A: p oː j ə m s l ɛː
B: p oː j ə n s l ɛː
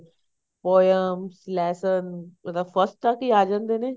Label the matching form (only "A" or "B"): A